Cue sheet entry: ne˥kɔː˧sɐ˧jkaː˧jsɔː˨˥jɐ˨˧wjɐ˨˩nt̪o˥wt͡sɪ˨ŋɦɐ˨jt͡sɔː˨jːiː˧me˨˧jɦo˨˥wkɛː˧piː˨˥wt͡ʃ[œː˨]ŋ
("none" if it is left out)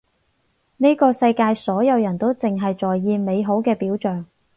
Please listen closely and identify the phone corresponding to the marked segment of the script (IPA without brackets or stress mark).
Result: œː˨